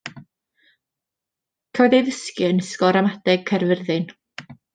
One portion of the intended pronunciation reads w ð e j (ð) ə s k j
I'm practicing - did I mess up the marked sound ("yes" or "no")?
no